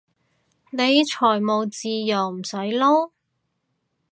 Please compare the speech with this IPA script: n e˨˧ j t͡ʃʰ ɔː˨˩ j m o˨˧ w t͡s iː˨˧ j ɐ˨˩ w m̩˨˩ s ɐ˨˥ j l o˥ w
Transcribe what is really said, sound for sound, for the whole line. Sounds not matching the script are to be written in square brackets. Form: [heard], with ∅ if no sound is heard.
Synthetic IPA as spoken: n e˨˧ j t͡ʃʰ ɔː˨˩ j m o˨˧ w t͡s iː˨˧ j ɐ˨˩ w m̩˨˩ s ɐ˨˥ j l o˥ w